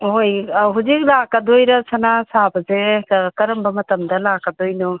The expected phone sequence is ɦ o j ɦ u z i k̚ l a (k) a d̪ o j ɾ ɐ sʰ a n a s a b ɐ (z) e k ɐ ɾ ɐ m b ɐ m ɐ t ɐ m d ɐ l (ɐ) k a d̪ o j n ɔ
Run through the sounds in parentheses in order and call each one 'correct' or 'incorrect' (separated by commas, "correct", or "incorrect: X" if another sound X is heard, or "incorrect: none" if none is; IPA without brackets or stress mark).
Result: correct, correct, incorrect: a